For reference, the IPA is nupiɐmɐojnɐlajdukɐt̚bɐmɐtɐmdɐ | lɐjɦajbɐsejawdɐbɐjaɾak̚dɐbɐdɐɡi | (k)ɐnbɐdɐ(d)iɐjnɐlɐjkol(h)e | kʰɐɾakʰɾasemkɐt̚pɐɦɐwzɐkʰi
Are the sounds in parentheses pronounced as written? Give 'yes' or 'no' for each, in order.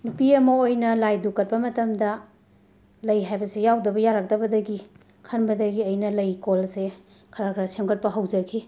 no, no, no

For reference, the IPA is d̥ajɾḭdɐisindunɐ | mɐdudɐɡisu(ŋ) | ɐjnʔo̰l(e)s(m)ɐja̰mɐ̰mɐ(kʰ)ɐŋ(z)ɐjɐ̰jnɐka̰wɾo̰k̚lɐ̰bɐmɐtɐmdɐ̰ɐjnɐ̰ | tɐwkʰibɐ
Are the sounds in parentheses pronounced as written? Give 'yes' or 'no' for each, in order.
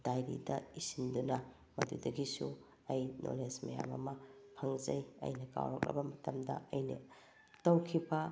no, yes, yes, no, yes

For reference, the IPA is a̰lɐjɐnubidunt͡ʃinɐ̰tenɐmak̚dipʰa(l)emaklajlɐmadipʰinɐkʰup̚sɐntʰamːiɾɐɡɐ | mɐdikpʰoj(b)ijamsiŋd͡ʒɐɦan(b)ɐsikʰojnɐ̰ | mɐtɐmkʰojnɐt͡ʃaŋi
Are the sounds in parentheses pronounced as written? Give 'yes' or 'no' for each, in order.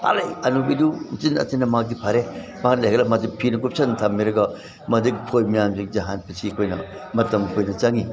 no, no, no

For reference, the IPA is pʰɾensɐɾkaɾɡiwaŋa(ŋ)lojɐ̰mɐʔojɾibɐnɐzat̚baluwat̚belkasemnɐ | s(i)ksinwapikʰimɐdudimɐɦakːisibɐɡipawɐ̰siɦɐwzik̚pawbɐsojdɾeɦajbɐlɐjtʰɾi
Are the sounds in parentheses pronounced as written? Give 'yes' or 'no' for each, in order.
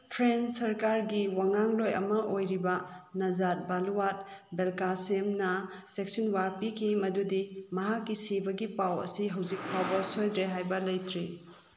yes, no

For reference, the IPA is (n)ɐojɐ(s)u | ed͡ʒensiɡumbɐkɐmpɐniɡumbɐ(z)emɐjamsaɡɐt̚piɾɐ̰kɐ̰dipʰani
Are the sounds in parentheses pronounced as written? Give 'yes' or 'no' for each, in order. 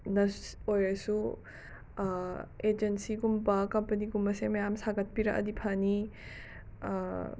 yes, yes, no

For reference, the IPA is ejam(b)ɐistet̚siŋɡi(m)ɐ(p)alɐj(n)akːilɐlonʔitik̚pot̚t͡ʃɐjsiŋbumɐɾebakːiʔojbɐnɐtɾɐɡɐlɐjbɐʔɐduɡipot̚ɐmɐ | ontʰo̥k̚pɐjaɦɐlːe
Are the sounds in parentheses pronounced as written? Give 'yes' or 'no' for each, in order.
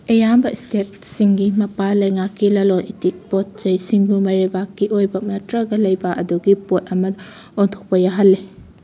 yes, yes, yes, no

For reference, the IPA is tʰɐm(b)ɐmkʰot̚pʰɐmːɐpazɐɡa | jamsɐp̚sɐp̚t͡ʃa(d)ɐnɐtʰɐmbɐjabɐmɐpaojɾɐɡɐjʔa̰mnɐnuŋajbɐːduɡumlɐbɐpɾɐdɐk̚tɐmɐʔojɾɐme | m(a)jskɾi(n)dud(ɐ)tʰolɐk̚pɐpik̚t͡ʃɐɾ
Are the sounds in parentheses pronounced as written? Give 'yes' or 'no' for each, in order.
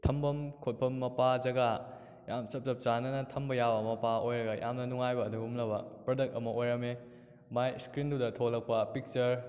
yes, no, yes, yes, yes

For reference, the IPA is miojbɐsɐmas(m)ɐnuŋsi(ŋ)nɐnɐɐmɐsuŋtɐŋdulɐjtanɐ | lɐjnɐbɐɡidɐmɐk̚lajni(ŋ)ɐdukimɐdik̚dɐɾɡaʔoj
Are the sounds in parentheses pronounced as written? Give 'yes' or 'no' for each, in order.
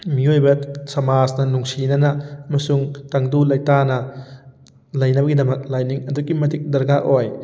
no, no, yes

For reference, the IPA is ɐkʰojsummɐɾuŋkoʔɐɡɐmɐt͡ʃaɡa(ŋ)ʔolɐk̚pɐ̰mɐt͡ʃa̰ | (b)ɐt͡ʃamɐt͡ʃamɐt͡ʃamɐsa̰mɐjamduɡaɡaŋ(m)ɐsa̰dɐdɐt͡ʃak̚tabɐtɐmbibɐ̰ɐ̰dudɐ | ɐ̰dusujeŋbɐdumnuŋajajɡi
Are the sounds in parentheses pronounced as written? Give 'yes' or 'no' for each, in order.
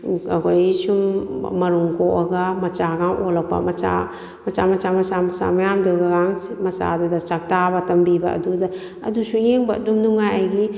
yes, no, yes

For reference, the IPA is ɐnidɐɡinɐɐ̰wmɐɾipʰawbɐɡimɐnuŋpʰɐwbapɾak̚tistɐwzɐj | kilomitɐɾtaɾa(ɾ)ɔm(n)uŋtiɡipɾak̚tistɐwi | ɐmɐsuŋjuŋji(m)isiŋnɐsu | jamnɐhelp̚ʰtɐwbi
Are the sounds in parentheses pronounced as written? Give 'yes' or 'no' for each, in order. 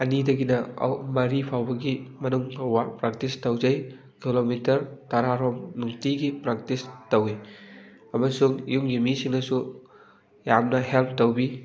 yes, yes, yes

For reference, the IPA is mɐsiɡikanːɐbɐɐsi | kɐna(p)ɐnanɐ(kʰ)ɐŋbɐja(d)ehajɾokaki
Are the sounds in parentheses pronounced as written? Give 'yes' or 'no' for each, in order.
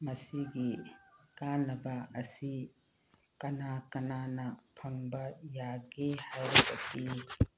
no, no, no

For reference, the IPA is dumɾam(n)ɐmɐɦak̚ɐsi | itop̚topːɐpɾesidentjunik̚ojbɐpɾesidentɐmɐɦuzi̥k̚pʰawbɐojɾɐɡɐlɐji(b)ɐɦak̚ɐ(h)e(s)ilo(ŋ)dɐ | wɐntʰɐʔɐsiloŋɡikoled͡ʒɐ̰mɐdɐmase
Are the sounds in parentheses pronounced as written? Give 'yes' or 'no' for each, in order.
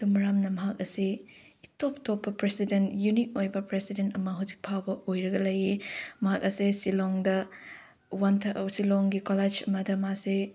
yes, no, no, yes, yes

